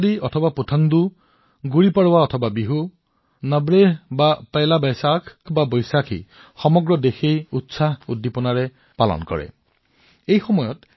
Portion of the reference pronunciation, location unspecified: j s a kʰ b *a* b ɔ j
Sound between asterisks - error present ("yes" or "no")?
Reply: no